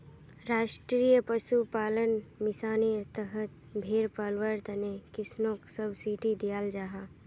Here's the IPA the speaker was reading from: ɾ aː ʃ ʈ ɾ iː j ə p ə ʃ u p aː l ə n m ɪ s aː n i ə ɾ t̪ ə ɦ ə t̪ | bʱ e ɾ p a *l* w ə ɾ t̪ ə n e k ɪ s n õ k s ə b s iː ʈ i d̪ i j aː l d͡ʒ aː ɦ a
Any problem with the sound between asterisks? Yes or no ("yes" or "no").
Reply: no